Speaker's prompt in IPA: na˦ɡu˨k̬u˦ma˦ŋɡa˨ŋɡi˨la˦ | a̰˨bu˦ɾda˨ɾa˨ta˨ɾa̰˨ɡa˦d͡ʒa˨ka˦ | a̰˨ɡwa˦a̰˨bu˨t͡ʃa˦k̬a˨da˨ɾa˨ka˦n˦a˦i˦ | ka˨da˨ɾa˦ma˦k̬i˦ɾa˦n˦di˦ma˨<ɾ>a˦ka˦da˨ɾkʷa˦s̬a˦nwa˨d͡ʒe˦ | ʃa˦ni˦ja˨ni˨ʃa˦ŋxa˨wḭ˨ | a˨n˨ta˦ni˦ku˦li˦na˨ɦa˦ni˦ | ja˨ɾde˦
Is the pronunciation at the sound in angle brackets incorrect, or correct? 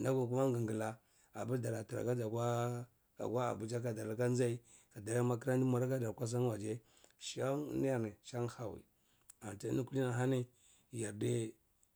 correct